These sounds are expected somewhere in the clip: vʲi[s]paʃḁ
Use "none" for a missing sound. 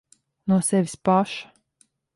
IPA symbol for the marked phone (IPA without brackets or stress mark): s